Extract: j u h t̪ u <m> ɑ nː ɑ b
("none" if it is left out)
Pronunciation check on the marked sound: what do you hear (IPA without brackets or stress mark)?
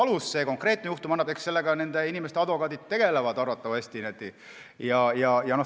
m